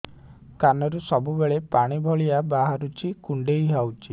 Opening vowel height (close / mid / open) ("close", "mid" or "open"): open